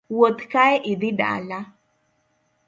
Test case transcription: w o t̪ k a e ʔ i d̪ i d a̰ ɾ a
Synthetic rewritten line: w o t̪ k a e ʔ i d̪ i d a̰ l a